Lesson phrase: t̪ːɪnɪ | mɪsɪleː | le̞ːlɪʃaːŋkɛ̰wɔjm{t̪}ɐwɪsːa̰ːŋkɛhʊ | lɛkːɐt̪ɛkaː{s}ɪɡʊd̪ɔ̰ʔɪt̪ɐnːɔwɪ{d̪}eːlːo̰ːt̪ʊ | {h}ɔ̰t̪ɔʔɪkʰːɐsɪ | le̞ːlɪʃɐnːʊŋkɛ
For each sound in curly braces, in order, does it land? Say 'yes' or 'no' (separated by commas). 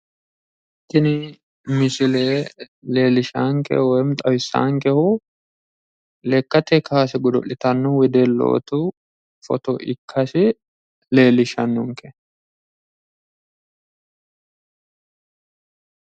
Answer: no, yes, yes, no